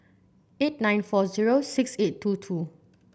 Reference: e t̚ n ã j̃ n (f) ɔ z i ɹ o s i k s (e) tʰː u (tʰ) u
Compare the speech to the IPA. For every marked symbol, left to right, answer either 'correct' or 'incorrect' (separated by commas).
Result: correct, correct, correct